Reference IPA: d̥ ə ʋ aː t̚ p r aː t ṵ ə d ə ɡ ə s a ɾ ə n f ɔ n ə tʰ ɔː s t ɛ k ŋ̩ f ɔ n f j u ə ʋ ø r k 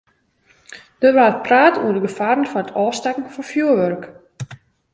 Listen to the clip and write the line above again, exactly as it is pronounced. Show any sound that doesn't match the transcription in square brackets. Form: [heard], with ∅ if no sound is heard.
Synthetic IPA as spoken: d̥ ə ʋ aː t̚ p r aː t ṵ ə d ə ɡ ə [f] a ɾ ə n f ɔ n ə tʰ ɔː s t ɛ k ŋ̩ f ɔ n f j u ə ʋ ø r k